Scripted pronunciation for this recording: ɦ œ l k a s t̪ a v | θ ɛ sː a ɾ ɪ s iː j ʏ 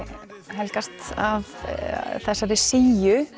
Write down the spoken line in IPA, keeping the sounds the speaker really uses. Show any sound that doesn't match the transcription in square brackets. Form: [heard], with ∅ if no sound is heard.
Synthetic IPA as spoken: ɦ [ɛ] l k a s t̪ a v | θ ɛ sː a ɾ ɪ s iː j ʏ